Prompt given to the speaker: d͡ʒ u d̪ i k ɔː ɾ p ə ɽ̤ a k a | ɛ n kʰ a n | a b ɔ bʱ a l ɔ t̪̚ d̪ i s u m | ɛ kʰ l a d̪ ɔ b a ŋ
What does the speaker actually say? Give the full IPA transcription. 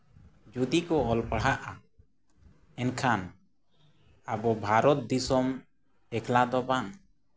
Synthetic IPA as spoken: d͡ʒ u d̪ i k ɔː l p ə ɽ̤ a ʔ a | ɛ n kʰ a n | a b ɔ bʱ a ɾ ɔ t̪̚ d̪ i s ɔ m | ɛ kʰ l a d̪ ɔ b a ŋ